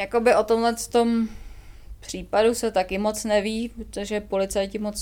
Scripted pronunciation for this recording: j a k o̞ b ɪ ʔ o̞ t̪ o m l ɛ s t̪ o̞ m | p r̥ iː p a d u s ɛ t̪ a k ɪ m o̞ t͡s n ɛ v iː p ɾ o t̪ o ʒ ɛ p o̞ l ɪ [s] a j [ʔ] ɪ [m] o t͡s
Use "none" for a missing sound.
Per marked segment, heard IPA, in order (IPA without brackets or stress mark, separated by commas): t͡s, c, m